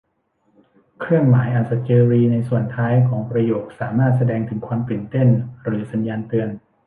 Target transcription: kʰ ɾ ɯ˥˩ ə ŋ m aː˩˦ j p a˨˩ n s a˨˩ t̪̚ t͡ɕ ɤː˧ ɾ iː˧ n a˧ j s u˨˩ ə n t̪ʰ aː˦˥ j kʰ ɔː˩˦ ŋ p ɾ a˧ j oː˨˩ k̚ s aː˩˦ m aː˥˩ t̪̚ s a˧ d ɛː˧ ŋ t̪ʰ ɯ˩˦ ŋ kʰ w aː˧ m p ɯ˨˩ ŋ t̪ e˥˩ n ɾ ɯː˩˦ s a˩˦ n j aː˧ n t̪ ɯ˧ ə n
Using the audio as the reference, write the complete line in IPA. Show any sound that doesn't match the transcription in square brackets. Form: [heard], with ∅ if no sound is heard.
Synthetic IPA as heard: kʰ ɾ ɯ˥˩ ə ŋ m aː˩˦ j [ʔ] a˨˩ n s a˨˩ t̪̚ t͡ɕ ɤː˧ ɾ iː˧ n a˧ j s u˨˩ ə n t̪ʰ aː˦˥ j kʰ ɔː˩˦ ŋ p ɾ a˧ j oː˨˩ k̚ s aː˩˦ m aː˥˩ t̪̚ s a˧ d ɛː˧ ŋ t̪ʰ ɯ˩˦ ŋ kʰ w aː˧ m p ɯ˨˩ [n] t̪ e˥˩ n ɾ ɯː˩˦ s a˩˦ n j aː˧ n t̪ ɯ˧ ə n